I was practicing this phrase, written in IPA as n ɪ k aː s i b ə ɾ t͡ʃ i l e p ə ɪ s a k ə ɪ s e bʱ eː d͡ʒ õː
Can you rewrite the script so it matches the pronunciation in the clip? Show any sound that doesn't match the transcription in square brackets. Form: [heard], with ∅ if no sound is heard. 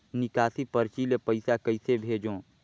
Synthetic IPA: n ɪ k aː s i [p] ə ɾ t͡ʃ i l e p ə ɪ s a k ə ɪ s e bʱ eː d͡ʒ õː